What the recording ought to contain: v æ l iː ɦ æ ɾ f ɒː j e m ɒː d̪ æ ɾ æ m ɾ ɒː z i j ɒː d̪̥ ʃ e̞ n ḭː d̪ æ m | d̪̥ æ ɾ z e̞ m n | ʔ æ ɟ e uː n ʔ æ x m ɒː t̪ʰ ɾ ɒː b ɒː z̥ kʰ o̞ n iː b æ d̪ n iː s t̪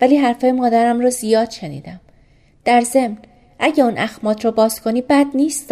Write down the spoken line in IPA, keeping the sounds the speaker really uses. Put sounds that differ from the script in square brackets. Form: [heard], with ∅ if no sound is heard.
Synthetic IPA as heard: v æ l iː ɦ æ ɾ f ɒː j e m ɒː d̪ æ ɾ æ m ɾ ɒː z i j ɒː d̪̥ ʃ e̞ n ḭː d̪ æ m | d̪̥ æ ɾ z e̞ m n | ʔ æ ɟ e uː n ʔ æ x m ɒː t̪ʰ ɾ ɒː b ɒː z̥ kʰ o̞ n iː b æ d̪ n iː s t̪